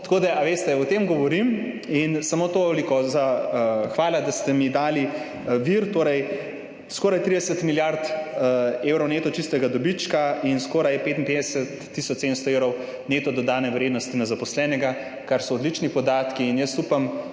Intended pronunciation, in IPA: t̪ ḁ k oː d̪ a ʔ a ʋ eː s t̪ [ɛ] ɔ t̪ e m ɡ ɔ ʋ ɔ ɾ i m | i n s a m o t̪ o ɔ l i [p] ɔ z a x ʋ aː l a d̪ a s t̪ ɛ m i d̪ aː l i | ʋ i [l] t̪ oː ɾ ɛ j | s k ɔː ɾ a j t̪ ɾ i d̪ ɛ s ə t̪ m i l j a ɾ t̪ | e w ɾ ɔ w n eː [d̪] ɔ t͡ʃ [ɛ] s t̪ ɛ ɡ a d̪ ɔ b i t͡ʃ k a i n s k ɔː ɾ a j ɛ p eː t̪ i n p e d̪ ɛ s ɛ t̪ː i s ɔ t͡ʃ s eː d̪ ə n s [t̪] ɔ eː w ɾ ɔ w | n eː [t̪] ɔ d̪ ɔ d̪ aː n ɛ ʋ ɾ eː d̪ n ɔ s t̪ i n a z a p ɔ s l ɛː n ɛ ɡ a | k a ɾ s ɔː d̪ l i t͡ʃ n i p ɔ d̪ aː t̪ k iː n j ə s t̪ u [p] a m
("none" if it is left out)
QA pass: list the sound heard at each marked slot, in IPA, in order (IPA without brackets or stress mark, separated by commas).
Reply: ɛ, k, ɾ, t̪, i, t̪, t̪, p